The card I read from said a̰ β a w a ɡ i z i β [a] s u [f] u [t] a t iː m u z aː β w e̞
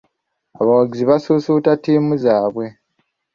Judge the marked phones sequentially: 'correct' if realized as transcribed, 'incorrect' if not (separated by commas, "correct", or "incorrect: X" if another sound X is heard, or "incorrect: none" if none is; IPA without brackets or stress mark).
correct, incorrect: s, correct